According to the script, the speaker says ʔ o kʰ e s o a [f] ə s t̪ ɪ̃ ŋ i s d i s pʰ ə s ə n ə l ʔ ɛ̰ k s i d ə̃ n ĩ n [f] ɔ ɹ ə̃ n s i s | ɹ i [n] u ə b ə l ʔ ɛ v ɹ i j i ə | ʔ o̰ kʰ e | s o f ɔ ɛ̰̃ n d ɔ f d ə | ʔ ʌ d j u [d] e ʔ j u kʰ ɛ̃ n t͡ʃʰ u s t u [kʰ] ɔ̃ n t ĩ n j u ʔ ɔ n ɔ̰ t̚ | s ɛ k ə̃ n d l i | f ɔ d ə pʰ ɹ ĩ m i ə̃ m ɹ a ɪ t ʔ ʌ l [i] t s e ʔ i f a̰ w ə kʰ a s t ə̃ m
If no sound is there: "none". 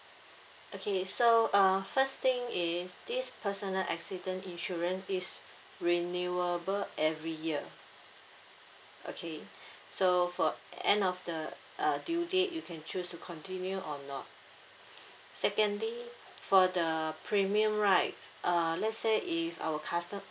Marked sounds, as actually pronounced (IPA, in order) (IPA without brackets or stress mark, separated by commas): f, ʃ, n, d, kʰ, ɛ